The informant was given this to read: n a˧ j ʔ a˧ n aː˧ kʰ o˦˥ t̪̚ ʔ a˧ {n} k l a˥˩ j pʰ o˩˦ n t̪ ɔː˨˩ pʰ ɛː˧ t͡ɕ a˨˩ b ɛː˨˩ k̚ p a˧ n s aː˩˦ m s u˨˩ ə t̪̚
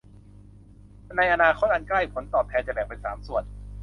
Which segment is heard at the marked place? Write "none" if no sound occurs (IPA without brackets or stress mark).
n